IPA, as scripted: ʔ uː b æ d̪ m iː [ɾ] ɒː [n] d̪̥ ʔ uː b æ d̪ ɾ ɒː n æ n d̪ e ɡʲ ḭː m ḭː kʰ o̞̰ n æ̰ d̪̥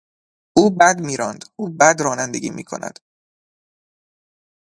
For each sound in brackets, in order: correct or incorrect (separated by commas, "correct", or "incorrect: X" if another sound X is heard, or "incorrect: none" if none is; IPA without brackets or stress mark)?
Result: correct, correct